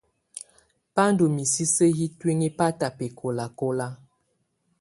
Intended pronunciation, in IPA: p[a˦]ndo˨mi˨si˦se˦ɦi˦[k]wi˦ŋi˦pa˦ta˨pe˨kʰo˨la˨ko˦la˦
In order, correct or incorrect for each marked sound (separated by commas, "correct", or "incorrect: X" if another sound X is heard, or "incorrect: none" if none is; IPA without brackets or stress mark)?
correct, incorrect: t